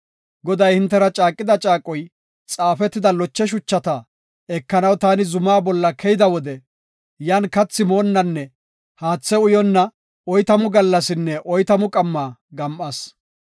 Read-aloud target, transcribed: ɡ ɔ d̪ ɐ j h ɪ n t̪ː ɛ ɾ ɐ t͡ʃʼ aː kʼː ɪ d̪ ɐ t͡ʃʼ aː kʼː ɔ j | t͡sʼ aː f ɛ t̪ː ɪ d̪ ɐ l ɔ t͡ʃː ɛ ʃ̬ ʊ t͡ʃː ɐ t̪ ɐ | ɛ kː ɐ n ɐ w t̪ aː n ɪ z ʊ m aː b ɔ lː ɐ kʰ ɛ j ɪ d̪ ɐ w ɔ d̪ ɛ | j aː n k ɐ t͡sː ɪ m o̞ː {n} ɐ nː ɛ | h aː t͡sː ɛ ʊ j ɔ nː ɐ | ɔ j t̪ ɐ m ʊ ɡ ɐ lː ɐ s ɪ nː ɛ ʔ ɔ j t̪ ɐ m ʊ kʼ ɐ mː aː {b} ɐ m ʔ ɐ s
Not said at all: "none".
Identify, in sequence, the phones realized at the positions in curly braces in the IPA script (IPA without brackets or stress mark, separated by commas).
nː, ɡ